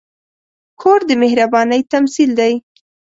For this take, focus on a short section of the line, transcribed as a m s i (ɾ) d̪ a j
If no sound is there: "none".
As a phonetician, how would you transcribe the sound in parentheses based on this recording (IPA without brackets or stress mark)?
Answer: l